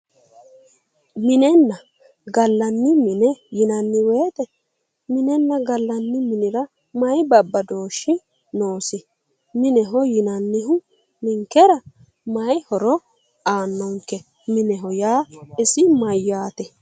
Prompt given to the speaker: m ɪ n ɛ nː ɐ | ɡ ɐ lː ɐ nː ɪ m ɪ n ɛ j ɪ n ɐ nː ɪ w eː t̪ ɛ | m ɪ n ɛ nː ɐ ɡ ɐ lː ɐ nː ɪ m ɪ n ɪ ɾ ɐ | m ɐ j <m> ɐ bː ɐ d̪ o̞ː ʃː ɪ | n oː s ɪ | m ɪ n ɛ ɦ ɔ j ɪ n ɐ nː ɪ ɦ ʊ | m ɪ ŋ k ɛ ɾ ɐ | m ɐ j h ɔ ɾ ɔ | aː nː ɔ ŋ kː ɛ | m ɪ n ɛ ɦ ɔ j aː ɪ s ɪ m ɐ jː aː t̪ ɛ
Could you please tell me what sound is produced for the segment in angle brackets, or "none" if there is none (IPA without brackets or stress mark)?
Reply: b